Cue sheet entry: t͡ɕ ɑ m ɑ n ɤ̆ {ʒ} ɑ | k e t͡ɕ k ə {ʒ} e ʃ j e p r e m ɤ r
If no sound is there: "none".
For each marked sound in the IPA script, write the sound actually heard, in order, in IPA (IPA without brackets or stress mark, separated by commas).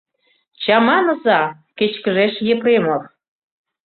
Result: z, ʒ